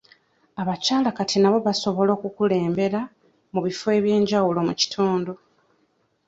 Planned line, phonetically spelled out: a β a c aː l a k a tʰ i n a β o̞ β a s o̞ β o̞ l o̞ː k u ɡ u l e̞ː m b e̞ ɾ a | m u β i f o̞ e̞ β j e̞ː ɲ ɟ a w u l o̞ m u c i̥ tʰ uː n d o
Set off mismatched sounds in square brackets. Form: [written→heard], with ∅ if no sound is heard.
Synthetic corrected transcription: a β a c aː l a k a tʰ i n a β o̞ β a s o̞ β o̞ l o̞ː k u [ɡ→k] u l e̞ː m b e̞ ɾ a | m u β i f o̞ e̞ β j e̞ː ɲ ɟ a w u l o̞ m u c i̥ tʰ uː n d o